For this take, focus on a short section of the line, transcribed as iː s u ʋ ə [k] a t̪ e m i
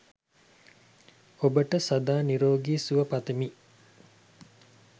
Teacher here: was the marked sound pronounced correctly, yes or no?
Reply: no